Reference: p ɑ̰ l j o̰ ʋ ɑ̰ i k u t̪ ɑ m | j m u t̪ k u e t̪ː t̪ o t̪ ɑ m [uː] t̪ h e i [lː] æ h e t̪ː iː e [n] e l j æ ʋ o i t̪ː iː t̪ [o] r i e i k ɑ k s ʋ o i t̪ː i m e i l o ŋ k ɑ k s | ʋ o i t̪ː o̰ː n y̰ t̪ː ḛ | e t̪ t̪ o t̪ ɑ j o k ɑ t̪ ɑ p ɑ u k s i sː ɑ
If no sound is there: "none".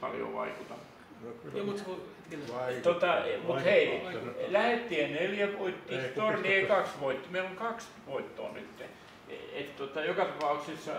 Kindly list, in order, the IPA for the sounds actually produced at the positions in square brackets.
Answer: u, l, n, o

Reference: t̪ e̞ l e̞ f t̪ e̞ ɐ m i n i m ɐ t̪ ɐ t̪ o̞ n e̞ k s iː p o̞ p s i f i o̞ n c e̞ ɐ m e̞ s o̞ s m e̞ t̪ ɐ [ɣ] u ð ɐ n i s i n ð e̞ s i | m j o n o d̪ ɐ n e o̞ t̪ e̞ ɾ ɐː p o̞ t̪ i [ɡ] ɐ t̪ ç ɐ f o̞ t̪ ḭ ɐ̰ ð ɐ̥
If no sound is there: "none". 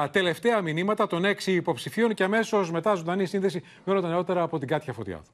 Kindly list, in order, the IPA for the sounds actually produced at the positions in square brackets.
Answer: z, ɡ

